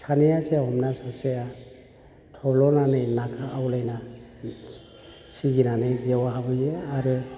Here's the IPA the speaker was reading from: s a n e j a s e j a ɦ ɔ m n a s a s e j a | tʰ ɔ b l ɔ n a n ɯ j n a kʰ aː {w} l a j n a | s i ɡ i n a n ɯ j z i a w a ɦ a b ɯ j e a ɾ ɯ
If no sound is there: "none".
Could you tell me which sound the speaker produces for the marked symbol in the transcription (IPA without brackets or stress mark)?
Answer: w